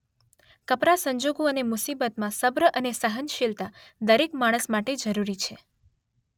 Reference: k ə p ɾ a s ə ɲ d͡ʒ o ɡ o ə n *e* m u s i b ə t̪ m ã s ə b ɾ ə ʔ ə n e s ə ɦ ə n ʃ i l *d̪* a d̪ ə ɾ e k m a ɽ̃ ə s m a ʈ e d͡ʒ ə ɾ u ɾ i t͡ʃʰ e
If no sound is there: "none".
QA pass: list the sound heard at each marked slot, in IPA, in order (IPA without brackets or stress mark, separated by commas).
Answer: e, t̪